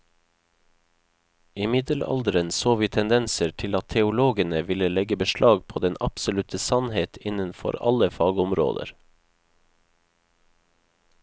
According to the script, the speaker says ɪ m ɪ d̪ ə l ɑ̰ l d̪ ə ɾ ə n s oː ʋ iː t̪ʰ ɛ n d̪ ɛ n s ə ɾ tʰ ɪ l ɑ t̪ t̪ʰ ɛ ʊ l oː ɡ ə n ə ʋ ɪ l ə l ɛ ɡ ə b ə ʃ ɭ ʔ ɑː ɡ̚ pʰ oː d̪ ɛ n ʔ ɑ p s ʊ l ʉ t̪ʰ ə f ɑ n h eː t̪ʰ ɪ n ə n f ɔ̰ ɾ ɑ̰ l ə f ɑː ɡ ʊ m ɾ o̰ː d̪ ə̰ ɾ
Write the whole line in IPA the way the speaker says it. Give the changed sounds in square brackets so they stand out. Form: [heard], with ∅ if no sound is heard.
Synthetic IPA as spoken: ɪ m ɪ d̪ ə l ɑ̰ l d̪ ə ɾ ə n s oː ʋ iː t̪ʰ ɛ n d̪ ɛ n s ə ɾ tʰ ɪ l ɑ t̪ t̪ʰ ɛ ʊ l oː ɡ ə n ə ʋ ɪ l ə l ɛ ɡ ə b ə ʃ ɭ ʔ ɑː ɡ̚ pʰ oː d̪ ɛ n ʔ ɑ p s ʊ l ʉ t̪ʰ ə [s] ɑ n h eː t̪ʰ ɪ n ə n f ɔ̰ ɾ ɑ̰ l ə f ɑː ɡ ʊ m ɾ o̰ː d̪ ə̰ ɾ

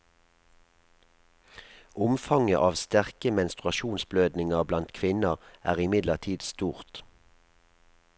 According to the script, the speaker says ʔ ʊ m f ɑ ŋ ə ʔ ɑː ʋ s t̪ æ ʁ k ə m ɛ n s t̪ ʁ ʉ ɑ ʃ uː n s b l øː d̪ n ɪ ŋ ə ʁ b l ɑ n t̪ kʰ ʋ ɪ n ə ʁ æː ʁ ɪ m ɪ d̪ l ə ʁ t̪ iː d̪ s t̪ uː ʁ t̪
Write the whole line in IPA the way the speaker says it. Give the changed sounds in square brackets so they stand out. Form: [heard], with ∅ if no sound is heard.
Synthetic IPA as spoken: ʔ ʊ m f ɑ ŋ ə ʔ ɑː ʋ s t̪ æ ʁ k ə m ɛ n s t̪ ʁ ʉ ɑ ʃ uː n s b l øː d̪ n ɪ ŋ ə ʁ b l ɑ n t̪ kʰ ʋ ɪ n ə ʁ æː ʁ ɪ m ɪ d̪ l ə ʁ [t̪ʰ] iː d̪ s t̪ uː ʁ t̪

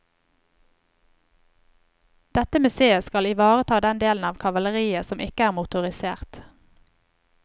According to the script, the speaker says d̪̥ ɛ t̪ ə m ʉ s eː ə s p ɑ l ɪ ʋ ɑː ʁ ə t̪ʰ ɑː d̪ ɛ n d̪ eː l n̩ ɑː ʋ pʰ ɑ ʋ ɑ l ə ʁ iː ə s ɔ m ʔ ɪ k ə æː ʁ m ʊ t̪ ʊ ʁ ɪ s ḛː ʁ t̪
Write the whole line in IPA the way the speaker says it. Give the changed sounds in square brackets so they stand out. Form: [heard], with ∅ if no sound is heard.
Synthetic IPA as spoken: d̪̥ ɛ t̪ ə m ʉ s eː ə s [k] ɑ l ɪ ʋ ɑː ʁ ə t̪ʰ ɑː d̪ ɛ n d̪ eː l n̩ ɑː ʋ [kʰ] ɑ ʋ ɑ l ə ʁ iː ə s ɔ m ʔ ɪ k ə æː ʁ m ʊ t̪ ʊ ʁ ɪ s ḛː ʁ t̪

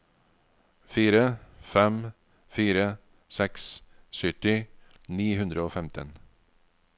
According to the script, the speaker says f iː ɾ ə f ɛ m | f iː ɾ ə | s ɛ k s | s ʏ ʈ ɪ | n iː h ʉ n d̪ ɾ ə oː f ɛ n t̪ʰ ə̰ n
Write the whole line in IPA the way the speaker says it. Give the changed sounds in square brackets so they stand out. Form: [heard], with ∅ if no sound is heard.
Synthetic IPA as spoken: f iː ɾ ə f ɛ m | f iː ɾ ə | s ɛ k s | s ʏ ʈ ɪ | n iː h ʉ n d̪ ɾ ə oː f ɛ [m] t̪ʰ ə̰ n

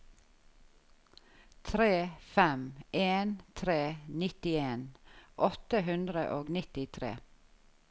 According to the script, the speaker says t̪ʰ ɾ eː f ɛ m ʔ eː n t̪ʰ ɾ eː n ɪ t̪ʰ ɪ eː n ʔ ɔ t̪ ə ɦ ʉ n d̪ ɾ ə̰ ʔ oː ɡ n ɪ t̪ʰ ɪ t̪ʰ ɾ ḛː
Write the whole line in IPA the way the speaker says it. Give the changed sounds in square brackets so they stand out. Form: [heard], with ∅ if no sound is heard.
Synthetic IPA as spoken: t̪ʰ ɾ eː f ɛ m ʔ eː n t̪ʰ ɾ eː n ɪ [t̪] ɪ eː n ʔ ɔ t̪ ə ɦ ʉ n d̪ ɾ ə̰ ʔ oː ɡ n ɪ [t̪] ɪ t̪ʰ ɾ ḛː

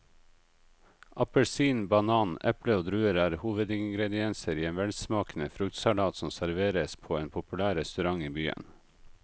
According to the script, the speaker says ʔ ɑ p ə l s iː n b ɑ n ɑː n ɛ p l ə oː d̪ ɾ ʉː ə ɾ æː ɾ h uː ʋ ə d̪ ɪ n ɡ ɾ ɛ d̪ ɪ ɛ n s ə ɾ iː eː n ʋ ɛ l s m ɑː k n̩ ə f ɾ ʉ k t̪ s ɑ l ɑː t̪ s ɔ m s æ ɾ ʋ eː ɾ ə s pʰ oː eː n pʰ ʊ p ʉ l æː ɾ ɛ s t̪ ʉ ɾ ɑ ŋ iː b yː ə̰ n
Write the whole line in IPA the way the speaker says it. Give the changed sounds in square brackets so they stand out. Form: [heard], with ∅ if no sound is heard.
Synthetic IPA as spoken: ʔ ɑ p ə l s iː n b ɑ n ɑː n ɛ p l ə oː d̪ ɾ ʉː ə ɾ æː ɾ h uː ʋ ə d̪ ɪ [ŋ] ɡ ɾ ɛ d̪ ɪ ɛ n s ə ɾ iː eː n ʋ ɛ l s m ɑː k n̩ ə f ɾ ʉ k t̪ s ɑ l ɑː t̪ s ɔ m s æ ɾ ʋ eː ɾ ə s pʰ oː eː n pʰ ʊ p ʉ l æː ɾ ɛ s t̪ ʉ ɾ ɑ ŋ iː b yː ə̰ n

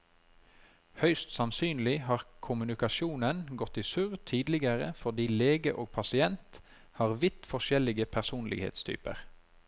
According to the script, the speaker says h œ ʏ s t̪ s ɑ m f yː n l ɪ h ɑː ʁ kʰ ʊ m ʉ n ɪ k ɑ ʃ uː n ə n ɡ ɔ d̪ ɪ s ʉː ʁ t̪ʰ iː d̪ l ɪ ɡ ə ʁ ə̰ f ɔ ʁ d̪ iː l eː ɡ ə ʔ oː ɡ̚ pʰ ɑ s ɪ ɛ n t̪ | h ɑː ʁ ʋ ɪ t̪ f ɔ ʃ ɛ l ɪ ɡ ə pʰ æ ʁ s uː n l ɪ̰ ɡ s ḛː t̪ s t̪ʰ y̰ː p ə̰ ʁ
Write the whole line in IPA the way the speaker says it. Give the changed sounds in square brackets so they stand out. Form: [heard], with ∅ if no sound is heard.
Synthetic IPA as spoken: h œ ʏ s t̪ s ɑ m [s] yː n l ɪ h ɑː ʁ kʰ ʊ m ʉ n ɪ k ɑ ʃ uː n ə n ɡ ɔ [t̪] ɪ s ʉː ʁ t̪ʰ iː d̪ l ɪ ɡ ə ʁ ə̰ f ɔ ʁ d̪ iː l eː ɡ ə ʔ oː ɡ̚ pʰ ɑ s ɪ ɛ n t̪ | h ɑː ʁ ʋ ɪ t̪ f ɔ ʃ ɛ l ɪ ɡ ə pʰ æ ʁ s uː n l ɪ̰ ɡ [h] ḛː t̪ s t̪ʰ y̰ː p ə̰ ʁ

